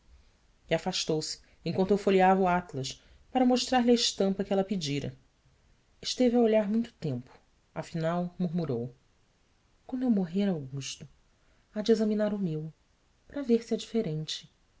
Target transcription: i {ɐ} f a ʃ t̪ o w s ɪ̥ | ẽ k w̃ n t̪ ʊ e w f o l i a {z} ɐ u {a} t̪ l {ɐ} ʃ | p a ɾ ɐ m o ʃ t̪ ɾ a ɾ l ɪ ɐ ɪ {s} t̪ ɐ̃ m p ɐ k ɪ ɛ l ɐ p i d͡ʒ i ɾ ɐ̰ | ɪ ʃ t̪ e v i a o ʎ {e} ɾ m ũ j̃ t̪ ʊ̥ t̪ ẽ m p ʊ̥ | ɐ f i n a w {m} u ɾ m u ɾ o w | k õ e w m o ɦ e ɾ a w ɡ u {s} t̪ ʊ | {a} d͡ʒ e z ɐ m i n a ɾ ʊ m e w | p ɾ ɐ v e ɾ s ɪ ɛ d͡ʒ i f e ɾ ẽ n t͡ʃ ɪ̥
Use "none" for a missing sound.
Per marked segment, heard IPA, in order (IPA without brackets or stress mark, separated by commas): a, v, a, ɐ, ʃ, a, m, ʃ, a